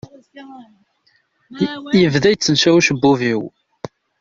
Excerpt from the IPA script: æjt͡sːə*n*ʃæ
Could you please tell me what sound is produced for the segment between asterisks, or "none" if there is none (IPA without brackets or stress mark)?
n